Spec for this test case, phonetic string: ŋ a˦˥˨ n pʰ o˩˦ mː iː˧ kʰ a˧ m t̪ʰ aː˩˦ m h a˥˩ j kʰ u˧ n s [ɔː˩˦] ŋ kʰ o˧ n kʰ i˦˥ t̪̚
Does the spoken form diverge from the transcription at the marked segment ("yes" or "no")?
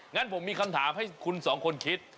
no